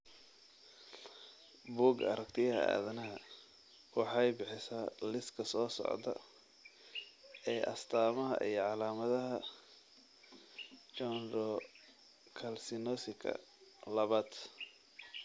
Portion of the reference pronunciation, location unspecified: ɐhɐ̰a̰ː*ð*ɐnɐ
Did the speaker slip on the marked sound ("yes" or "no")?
no